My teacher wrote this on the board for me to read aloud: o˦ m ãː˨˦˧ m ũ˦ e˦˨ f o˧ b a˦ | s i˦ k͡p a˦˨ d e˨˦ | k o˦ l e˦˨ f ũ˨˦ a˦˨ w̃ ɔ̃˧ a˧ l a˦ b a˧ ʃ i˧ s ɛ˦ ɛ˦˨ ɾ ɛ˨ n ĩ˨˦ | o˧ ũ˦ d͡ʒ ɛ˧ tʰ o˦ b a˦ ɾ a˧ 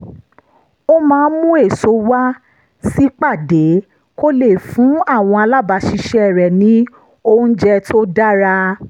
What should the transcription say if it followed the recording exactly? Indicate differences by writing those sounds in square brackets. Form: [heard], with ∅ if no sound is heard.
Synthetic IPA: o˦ m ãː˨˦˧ m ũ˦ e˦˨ [s] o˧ [w] a˦ | s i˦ k͡p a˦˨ d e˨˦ | k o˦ l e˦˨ f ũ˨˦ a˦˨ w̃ ɔ̃˧ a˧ l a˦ b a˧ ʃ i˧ [ʃ] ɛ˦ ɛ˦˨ ɾ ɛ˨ n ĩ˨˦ | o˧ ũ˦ d͡ʒ ɛ˧ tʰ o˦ [d] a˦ ɾ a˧